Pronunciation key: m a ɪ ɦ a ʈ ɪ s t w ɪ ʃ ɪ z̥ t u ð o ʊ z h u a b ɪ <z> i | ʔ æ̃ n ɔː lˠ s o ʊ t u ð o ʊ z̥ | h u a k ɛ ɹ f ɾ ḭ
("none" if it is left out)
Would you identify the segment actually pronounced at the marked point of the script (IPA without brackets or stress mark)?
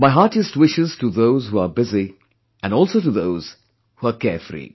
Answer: z